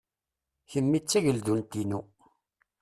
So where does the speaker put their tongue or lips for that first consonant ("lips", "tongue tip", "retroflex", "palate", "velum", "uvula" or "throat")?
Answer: palate